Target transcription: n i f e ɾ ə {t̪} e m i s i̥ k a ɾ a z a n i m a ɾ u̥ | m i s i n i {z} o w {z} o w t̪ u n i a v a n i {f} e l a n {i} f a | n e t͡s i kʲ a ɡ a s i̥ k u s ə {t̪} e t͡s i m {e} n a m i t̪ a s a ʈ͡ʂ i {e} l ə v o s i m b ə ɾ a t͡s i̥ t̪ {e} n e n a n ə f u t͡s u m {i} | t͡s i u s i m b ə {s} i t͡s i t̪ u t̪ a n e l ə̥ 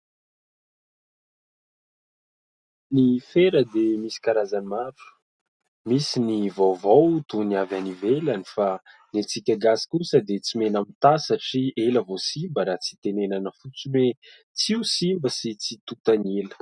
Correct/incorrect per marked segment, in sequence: incorrect: d̪, incorrect: v, incorrect: v, incorrect: v, correct, incorrect: d̪, correct, correct, correct, incorrect: e, correct

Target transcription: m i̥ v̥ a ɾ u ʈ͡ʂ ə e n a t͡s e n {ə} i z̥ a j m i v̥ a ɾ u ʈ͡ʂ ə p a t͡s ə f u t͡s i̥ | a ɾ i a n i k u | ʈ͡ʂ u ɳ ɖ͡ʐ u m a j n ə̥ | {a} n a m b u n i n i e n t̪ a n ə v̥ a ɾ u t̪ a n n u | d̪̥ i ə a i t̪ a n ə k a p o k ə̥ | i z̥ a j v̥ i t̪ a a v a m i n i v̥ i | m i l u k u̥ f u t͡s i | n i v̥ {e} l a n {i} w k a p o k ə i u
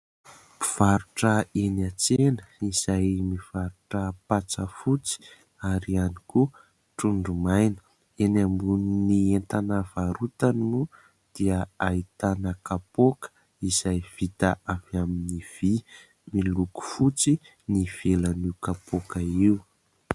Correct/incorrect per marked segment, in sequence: correct, incorrect: e, correct, correct

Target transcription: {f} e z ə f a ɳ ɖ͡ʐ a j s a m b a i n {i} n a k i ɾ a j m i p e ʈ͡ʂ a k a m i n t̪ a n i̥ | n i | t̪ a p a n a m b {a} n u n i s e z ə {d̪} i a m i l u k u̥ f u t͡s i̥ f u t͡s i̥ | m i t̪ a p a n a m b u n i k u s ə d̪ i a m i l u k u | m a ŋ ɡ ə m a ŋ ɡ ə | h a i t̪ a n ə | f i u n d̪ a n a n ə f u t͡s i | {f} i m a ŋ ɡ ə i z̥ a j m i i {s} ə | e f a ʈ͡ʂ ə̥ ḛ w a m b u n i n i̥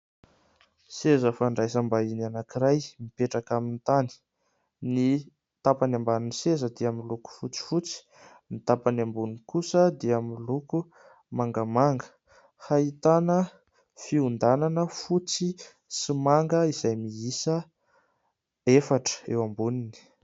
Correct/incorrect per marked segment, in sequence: incorrect: s, incorrect: a, correct, correct, incorrect: s, correct

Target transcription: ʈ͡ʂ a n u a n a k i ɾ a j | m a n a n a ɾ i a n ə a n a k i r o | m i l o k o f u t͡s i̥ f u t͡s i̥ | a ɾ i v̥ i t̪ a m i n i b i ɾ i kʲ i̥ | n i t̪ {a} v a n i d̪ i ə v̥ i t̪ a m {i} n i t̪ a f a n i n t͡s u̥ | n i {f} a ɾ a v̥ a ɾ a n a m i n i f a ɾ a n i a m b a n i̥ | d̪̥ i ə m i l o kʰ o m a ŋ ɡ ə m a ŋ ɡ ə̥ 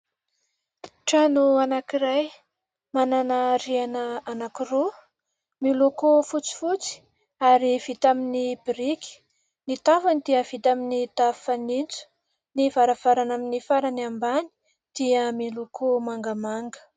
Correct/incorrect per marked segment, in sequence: correct, correct, incorrect: v

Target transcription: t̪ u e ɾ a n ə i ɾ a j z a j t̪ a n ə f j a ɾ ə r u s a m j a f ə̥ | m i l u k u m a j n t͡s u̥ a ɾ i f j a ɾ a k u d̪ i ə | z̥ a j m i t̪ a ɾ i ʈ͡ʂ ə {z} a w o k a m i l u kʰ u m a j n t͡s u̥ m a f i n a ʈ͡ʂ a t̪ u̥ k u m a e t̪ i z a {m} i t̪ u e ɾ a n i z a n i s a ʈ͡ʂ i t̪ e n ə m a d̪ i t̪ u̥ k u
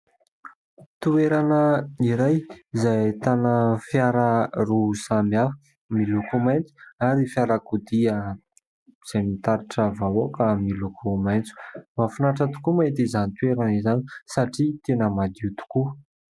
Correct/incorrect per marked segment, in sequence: incorrect: v, incorrect: n

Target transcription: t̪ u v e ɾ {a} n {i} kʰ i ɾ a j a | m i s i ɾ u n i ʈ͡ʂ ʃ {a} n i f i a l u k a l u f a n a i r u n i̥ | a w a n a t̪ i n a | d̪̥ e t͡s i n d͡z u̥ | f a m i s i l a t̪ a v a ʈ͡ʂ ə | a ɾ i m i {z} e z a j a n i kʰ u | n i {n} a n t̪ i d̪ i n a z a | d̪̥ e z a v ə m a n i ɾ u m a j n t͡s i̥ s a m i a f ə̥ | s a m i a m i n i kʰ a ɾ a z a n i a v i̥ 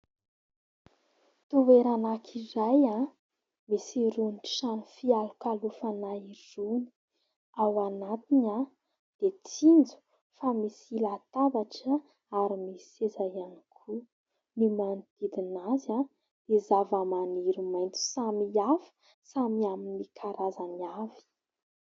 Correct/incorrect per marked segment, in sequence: correct, incorrect: a, correct, incorrect: s, incorrect: m

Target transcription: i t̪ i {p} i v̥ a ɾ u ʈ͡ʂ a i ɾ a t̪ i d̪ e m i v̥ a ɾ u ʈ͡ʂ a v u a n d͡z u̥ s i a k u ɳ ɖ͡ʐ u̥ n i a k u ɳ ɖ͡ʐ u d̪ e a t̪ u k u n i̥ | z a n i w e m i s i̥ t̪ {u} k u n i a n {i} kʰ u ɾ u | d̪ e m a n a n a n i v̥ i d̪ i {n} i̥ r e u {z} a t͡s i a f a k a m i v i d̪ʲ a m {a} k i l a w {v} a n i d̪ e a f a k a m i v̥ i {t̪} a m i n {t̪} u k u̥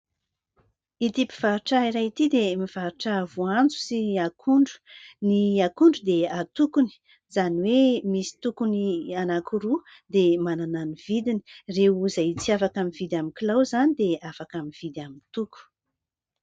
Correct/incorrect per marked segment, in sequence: correct, correct, incorrect: a, correct, correct, incorrect: i, incorrect: z, incorrect: d̪, correct

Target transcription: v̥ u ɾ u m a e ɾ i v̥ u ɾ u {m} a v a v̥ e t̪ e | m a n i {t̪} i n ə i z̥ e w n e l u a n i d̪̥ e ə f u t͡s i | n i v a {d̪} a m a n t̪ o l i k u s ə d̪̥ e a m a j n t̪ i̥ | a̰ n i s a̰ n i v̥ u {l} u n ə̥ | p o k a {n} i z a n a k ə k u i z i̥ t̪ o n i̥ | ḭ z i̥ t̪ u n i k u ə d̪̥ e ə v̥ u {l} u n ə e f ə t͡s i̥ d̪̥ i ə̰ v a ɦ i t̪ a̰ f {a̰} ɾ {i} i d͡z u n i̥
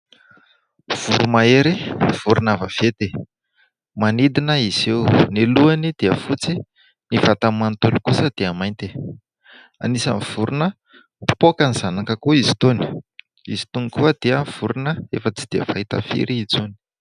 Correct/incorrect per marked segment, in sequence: incorrect: n, incorrect: d̪, incorrect: t̪, incorrect: ɾ, correct, incorrect: ɾ, incorrect: ḭ, correct

